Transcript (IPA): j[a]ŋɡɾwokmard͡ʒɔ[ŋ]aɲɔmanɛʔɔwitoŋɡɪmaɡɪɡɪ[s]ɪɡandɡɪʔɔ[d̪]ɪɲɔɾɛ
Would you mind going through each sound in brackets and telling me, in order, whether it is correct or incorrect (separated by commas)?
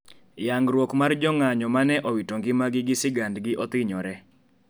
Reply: correct, correct, correct, incorrect